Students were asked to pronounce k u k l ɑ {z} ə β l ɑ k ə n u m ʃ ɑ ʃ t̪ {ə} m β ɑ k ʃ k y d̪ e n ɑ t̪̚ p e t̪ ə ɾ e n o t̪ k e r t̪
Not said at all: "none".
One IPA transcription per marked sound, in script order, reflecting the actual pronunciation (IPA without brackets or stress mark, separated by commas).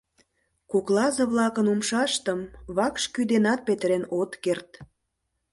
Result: z, ə